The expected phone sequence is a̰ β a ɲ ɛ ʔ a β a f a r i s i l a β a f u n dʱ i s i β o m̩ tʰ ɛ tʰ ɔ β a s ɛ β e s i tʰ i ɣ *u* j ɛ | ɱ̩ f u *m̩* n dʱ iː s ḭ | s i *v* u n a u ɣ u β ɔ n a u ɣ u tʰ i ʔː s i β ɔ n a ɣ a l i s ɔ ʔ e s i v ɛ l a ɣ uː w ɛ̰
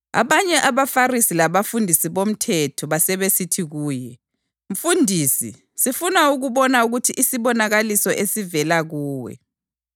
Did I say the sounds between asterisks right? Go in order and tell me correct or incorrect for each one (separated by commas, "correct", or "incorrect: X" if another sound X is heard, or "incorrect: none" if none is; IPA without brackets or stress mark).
incorrect: uː, incorrect: none, incorrect: f